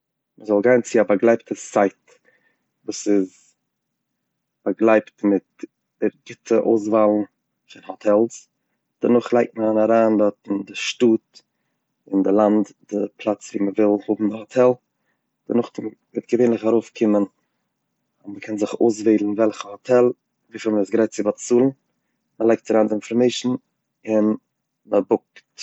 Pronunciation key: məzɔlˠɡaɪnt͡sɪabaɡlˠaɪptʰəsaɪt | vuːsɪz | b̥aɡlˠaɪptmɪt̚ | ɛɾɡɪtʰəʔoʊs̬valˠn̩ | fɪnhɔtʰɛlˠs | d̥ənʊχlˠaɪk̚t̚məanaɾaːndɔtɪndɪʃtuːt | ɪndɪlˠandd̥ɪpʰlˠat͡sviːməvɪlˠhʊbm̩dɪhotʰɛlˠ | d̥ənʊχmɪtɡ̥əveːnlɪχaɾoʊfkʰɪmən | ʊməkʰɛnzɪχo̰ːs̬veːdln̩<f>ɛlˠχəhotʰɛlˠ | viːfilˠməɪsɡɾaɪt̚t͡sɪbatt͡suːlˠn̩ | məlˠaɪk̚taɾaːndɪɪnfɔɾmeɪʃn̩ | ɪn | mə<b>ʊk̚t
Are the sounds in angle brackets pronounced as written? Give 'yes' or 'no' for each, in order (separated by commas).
no, yes